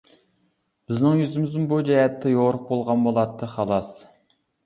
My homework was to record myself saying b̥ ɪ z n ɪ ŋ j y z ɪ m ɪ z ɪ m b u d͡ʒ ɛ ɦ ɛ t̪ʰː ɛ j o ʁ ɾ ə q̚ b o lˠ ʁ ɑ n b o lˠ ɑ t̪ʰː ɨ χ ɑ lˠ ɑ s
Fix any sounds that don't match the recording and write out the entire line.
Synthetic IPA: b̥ ɪ z n ɪ ŋ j y z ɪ m ɪ z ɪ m b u d͡ʒ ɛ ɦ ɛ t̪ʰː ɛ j o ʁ ɾ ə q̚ b o lˠ ʁ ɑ n b o lˠ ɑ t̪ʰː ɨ χ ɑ lˠ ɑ s